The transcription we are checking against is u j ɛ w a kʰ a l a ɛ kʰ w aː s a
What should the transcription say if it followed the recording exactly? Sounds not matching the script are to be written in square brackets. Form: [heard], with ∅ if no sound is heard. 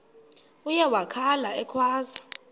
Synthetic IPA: u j ɛ w a kʰ a l a ɛ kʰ w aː [z] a